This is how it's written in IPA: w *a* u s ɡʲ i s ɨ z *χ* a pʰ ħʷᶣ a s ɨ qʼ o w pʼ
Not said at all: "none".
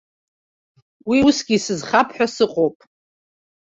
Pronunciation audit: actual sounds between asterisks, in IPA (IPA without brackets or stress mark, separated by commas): i, χ